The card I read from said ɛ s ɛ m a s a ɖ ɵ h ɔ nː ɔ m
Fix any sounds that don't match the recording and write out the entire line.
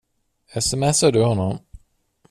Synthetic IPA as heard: ɛ s ɛ m ɛ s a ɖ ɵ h ɔ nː ɔ m